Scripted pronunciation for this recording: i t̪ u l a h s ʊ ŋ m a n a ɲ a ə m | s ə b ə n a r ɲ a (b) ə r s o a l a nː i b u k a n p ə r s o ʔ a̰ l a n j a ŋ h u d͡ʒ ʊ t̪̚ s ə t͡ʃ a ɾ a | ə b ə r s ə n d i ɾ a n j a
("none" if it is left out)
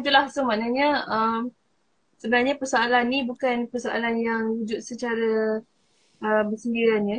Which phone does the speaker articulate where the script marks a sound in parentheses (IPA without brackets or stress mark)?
p